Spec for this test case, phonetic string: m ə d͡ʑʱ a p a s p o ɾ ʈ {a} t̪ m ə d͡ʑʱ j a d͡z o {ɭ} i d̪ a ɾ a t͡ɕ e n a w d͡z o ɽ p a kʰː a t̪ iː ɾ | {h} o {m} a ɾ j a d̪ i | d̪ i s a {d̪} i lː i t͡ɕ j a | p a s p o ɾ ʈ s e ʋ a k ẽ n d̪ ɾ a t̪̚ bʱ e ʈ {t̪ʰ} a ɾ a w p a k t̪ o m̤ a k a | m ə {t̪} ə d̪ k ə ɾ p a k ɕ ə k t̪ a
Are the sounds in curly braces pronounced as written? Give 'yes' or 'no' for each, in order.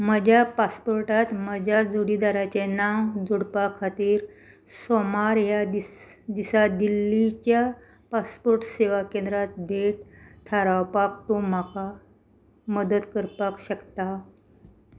yes, no, no, yes, yes, yes, no

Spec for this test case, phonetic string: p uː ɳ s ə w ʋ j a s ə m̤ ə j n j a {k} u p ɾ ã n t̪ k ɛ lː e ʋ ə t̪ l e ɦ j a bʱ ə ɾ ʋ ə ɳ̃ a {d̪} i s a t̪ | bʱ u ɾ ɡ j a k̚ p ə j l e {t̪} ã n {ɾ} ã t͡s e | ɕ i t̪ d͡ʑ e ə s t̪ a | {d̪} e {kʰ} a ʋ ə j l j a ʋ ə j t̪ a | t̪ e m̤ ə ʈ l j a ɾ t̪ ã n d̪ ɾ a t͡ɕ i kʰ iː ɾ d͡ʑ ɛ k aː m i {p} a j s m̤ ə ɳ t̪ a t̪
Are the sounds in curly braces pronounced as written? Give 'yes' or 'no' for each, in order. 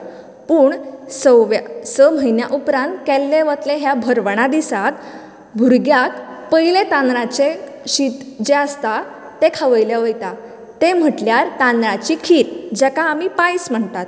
no, yes, yes, yes, no, yes, yes

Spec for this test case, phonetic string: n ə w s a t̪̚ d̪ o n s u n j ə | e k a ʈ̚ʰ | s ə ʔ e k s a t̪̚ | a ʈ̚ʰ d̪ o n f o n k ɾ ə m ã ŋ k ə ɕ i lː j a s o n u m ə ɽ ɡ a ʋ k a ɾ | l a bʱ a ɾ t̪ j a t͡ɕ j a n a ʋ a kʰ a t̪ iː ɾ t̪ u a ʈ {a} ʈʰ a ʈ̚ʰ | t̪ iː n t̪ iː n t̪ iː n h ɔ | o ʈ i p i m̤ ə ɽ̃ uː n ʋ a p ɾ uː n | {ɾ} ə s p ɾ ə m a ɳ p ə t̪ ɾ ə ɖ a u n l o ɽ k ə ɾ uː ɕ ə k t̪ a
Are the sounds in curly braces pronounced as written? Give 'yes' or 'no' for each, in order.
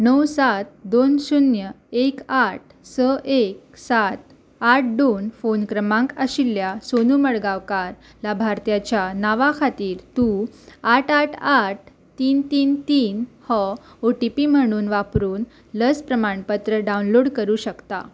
yes, no

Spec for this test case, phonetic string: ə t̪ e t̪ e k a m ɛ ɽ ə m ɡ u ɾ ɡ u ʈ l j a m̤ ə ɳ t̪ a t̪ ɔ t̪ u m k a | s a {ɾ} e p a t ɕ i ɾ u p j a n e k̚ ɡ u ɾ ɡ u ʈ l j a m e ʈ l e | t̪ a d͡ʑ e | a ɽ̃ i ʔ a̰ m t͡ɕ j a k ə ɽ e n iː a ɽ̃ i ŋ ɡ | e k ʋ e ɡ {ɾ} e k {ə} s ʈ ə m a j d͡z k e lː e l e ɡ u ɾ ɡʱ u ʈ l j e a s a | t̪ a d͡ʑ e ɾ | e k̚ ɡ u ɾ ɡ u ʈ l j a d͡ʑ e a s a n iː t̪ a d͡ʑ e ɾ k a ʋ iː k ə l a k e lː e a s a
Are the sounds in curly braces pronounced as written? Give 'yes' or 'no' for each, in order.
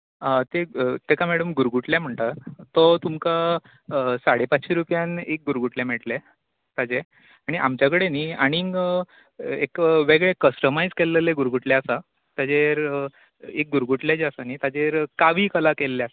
no, no, yes

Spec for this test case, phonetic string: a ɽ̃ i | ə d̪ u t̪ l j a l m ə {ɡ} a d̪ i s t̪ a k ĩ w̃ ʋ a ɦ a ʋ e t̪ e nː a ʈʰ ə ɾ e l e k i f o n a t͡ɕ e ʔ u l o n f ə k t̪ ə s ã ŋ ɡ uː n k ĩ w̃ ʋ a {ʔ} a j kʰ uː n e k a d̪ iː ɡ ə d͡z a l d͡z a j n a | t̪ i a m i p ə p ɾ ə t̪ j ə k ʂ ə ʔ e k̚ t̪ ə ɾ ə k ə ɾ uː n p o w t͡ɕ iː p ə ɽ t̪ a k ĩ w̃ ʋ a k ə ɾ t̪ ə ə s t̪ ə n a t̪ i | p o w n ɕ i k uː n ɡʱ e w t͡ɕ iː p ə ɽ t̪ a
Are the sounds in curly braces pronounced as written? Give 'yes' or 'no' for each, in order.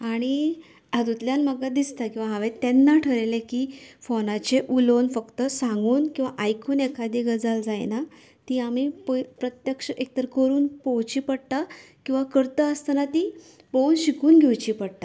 yes, yes

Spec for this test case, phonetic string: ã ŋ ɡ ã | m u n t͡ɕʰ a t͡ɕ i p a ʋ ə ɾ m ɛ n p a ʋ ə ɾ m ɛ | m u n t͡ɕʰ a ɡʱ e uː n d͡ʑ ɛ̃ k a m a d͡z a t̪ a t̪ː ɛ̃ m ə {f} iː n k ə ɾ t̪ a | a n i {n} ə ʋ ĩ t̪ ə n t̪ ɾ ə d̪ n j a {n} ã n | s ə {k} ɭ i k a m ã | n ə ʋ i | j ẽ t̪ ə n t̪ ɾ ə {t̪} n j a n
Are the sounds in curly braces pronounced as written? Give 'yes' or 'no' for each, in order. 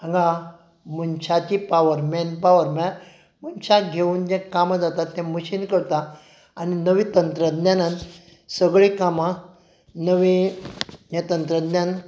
no, yes, yes, no, no

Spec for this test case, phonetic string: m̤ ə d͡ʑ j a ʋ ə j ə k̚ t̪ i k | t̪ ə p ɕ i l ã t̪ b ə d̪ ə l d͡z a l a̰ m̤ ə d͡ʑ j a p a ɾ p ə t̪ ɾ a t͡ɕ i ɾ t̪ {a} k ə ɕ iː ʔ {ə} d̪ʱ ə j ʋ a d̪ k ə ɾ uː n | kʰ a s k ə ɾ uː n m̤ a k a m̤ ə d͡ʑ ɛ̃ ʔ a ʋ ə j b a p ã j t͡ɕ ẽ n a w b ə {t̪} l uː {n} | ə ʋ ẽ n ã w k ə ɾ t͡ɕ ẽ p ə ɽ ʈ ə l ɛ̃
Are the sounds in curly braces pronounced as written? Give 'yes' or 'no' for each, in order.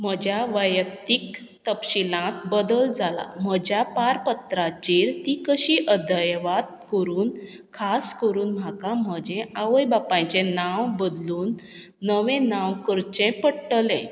no, yes, no, no

